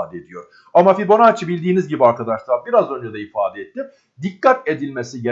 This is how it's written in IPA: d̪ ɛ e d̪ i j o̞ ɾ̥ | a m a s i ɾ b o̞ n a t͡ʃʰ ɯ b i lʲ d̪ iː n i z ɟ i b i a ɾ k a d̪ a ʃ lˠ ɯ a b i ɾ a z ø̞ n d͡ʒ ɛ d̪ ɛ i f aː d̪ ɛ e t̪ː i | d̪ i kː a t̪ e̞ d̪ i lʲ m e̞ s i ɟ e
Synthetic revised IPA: d̪ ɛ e d̪ i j o̞ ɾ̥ | a m a f i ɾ b o̞ n a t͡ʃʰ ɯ b i lʲ d̪ iː n i z ɟ i b i a ɾ k a d̪ a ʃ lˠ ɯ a b i ɾ a z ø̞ n d͡ʒ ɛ d̪ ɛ i f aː d̪ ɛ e t̪ː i | d̪ i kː a t̪ e̞ d̪ i lʲ m e̞ s i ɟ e

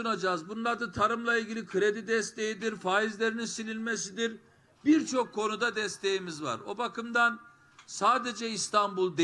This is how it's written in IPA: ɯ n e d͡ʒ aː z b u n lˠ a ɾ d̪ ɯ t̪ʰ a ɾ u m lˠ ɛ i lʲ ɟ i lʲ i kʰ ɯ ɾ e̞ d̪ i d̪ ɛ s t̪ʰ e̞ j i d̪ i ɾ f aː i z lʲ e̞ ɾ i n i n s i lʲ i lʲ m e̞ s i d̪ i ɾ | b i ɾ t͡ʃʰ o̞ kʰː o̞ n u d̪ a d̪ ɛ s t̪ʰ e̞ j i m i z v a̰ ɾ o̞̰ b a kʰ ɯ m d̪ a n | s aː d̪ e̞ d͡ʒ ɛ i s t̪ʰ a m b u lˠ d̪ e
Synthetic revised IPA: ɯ n a d͡ʒ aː z b u n lˠ a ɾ d̪ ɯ t̪ʰ a ɾ ɯ m lˠ a i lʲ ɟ i lʲ i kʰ ɯ ɾ e̞ d̪ i d̪ ɛ s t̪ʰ e̞ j i d̪ i ɾ f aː i z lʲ e̞ ɾ i n i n s i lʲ i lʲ m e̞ s i d̪ i ɾ | b i ɾ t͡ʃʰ o̞ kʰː o̞ n u d̪ a d̪ ɛ s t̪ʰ e̞ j i m i z v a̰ ɾ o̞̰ b a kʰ ɯ m d̪ a n | s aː d̪ e̞ d͡ʒ ɛ i s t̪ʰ a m b u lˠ d̪ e

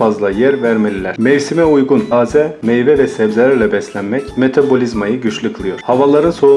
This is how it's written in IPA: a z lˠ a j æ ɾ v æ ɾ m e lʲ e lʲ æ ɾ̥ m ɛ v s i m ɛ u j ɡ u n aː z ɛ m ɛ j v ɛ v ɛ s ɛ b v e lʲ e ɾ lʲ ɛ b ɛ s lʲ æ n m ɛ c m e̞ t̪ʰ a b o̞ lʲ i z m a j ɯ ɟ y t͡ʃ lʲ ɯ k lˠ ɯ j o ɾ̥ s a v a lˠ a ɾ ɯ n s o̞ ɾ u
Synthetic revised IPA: a z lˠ a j æ ɾ v æ ɾ m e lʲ i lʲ æ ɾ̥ m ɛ v s i m ɛ u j ɡ u n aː z ɛ m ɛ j v ɛ v ɛ s ɛ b z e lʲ æ ɾ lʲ ɛ b ɛ s lʲ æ n m ɛ c m e̞ t̪ʰ a b o̞ lʲ i z m a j ɯ ɟ y t͡ʃ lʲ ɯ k lˠ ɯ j o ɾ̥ h a v a lˠ a ɾ ɯ n s o̞ ɾ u

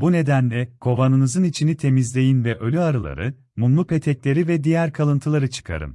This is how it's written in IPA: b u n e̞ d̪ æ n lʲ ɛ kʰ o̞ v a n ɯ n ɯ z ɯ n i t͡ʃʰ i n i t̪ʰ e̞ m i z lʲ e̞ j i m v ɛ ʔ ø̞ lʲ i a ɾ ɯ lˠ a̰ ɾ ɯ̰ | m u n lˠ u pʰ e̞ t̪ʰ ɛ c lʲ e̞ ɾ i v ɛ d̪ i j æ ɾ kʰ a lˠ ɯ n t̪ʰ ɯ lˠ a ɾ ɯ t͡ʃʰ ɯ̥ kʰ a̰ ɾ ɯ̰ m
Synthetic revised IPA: b u n e̞ d̪ æ n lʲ ɛ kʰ o̞ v a n ɯ n ɯ z ɯ n i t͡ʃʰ i n i t̪ʰ e̞ m i z lʲ e̞ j i n v ɛ ʔ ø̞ lʲ y a ɾ ɯ lˠ a̰ ɾ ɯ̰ | m u n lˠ u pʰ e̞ t̪ʰ ɛ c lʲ e̞ ɾ i v ɛ d̪ i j æ ɾ kʰ a lˠ ɯ n t̪ʰ ɯ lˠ a ɾ ɯ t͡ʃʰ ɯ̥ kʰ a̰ ɾ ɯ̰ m

